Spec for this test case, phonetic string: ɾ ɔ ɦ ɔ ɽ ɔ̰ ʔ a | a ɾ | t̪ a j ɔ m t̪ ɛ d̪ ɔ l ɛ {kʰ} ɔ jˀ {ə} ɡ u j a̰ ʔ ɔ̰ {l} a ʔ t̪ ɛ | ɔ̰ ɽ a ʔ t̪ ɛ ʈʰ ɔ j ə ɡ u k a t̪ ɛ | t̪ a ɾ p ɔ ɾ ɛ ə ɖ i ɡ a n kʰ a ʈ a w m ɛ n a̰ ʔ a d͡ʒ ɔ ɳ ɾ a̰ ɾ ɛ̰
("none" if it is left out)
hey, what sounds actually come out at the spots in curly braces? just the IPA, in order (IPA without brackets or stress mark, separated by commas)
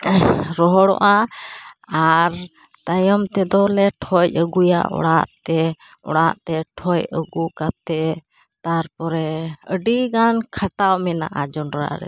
ʈʰ, ə, ɽ